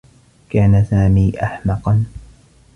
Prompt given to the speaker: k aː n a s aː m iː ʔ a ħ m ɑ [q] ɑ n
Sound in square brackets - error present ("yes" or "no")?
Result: no